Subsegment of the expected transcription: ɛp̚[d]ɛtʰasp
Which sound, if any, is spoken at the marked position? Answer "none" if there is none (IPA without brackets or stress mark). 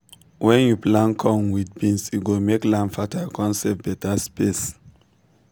b